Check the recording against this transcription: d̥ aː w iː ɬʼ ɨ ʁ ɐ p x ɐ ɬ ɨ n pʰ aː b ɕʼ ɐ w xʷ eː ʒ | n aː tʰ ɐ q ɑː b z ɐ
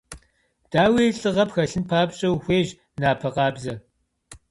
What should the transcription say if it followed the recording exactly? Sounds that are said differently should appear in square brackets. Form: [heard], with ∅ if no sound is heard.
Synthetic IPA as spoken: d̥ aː w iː ɬʼ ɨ ʁ ɐ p x ɐ ɬ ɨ n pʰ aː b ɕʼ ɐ w xʷ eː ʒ | n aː [pʰ] ɐ q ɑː b z ɐ